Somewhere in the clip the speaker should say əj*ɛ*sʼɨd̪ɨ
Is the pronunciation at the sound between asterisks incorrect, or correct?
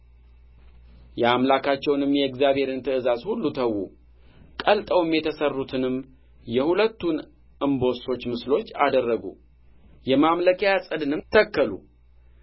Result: incorrect